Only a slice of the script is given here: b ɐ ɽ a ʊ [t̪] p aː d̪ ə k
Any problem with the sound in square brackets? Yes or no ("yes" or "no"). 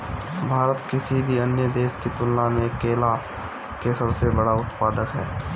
no